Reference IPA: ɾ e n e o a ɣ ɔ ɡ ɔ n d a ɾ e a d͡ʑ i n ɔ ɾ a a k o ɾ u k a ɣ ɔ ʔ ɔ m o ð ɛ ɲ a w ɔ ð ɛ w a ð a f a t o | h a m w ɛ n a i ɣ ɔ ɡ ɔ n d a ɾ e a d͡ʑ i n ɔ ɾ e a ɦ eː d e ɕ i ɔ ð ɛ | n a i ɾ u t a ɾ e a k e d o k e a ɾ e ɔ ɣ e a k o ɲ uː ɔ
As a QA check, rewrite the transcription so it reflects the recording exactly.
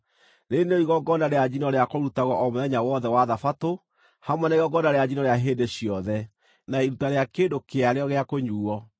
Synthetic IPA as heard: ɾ e n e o i ɣ ɔ ɡ ɔ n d a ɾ e a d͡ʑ i n ɔ ɾ e a k o ɾ u t a ɣ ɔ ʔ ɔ m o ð ɛ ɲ a w ɔ ð ɛ w a ð a f a t o | h a m w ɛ n a i ɣ ɔ ɡ ɔ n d a ɾ e a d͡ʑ i n ɔ ɾ e a ɦ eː d e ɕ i ɔ ð ɛ | n a i ɾ u t a ɾ e a k e d o k e a ɾ e ɔ ɣ e a k o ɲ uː ɔ